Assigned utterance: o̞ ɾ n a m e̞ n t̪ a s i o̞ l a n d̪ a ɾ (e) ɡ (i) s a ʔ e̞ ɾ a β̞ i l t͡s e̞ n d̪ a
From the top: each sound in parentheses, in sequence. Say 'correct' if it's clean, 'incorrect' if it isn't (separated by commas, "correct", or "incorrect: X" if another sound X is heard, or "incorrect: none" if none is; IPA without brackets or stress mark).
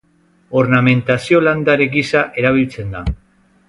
correct, correct